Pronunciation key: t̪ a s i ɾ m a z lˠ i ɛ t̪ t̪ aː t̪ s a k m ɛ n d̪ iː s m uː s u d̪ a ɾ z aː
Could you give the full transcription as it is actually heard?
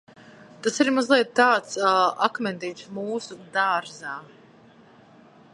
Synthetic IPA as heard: t̪ a s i ɾ m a z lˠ i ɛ t̪ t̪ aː t̪ s a k m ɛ n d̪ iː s m uː s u d̪ a ɾ z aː